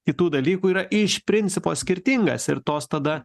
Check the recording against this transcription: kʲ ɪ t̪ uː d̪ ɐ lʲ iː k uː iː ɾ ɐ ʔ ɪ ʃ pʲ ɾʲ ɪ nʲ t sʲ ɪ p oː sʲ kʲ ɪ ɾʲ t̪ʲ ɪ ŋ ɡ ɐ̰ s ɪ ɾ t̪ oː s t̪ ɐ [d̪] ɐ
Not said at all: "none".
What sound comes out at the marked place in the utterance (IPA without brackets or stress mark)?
d̪